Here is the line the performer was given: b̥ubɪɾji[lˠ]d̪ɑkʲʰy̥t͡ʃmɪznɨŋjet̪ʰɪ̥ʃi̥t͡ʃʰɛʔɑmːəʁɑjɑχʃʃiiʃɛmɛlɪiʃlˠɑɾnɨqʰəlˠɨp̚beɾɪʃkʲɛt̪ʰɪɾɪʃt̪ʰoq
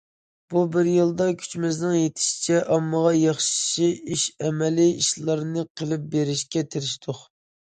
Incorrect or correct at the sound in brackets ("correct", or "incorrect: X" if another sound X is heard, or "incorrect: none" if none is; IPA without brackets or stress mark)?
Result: correct